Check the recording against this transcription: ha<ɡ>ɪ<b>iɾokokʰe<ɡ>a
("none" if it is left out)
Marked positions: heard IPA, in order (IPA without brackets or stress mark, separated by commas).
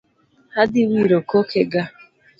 d, w, ɡ